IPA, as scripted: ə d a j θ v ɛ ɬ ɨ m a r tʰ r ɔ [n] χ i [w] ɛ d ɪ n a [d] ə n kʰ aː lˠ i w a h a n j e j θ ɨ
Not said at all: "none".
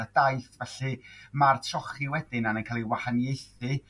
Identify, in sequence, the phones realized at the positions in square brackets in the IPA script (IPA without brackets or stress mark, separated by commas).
none, w, n